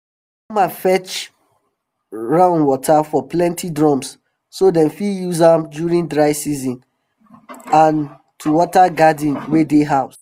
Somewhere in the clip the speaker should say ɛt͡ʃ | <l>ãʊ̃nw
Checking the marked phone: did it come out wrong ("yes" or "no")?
yes